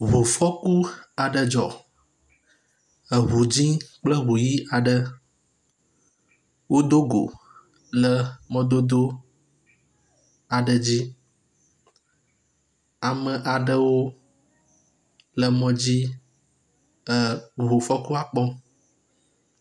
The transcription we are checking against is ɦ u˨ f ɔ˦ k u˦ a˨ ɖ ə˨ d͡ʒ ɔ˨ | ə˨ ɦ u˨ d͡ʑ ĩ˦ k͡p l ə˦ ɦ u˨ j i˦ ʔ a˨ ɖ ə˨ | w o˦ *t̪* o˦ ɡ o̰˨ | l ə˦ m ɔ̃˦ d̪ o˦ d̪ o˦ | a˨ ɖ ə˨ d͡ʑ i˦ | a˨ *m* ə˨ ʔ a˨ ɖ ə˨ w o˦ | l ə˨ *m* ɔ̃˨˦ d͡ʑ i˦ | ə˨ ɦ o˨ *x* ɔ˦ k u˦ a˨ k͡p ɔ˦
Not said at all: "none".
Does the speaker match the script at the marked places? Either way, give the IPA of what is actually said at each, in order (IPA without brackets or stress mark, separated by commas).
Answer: d̪, m, m, f